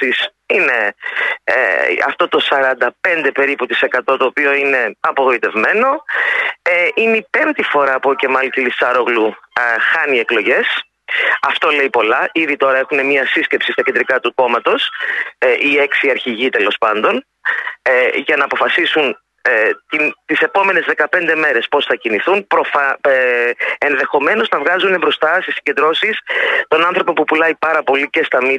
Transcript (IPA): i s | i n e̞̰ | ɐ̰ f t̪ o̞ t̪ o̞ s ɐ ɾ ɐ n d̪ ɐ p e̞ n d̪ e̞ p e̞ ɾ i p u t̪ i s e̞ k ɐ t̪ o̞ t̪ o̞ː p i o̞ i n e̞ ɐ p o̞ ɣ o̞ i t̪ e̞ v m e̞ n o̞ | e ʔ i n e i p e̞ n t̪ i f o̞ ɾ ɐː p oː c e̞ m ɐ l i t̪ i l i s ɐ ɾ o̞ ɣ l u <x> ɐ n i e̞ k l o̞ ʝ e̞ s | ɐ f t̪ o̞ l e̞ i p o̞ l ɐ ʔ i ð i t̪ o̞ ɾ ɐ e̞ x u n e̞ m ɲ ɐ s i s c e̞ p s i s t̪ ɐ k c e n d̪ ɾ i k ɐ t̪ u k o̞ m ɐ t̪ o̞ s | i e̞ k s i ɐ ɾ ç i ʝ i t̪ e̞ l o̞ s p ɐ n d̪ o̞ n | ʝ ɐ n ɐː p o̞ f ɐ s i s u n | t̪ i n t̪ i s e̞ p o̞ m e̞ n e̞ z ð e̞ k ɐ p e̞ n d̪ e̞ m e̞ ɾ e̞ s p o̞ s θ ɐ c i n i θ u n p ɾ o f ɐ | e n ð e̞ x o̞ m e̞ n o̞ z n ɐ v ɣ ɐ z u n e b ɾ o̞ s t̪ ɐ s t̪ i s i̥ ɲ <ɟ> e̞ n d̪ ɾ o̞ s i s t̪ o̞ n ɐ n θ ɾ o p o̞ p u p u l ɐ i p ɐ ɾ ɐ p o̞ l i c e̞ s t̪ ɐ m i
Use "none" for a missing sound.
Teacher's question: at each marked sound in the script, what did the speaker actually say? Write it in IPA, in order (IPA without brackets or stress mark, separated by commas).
x, ɟ